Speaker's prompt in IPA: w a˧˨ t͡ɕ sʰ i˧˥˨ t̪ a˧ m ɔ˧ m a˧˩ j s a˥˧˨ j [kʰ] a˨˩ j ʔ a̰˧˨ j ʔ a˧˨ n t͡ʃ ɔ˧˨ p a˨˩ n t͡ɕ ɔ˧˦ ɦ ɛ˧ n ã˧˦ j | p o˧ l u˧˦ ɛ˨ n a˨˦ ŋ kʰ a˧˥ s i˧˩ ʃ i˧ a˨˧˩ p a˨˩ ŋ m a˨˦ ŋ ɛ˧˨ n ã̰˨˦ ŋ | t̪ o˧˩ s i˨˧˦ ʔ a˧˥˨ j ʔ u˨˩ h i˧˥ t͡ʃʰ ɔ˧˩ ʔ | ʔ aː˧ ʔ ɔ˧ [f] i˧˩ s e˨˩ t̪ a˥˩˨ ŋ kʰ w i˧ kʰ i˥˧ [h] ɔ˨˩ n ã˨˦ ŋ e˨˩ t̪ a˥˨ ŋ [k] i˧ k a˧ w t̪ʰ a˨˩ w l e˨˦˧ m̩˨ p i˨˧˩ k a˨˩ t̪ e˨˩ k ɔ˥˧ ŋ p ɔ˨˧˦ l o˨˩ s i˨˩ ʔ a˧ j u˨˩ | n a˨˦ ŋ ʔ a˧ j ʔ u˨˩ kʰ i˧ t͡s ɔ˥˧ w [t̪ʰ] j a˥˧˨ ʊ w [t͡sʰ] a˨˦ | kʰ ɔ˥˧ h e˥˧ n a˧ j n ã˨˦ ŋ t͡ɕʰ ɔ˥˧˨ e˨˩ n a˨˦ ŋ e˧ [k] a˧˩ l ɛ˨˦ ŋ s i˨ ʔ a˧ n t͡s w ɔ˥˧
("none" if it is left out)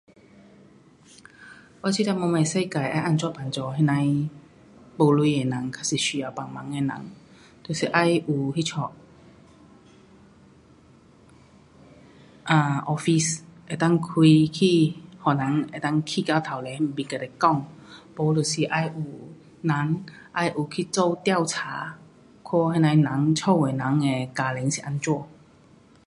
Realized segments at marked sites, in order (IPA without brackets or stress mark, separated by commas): k, f, h, kʰ, t̪, t͡sʰ, k